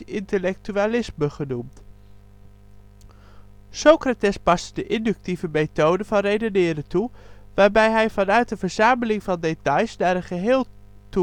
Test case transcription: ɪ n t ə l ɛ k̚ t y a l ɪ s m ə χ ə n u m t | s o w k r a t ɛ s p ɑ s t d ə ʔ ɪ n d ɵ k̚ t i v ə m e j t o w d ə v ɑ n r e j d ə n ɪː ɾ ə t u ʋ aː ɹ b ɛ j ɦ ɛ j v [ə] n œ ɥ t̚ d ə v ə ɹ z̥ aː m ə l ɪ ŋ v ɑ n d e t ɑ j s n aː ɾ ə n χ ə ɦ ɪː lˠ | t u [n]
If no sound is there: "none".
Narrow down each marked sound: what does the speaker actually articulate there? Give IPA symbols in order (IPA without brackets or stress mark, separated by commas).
ɑ, none